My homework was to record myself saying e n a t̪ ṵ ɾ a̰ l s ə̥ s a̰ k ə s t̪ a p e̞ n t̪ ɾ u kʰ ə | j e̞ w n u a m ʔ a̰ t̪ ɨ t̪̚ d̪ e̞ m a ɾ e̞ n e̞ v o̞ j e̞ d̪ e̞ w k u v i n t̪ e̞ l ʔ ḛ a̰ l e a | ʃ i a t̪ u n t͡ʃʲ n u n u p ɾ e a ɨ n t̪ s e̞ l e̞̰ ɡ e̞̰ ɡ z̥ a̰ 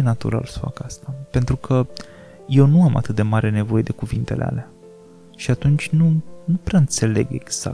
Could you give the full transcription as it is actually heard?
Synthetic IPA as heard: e n a t̪ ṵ ɾ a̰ l s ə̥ f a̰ k a s t̪ a p e̞ n t̪ ɾ u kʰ ə | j e̞ w n u a m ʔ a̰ t̪ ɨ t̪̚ d̪ e̞ m a ɾ e̞ n e̞ v o̞ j e̞ d̪ e̞ k u v i n t̪ e̞ l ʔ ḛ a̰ l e a | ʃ i a t̪ u n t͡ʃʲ n u n u p ɾ e a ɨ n t̪ s e̞ l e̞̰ ɡ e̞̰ ɡ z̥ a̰